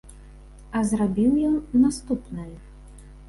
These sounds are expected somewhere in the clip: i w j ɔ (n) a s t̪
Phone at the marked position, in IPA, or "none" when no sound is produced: nː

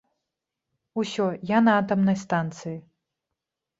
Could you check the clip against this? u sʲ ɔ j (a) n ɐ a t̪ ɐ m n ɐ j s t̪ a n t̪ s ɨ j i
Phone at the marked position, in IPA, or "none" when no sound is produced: a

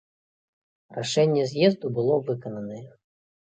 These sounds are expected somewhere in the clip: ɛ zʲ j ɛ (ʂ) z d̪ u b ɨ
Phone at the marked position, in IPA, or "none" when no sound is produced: none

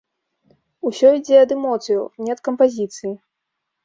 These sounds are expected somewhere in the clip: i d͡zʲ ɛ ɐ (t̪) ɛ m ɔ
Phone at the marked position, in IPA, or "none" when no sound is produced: d̪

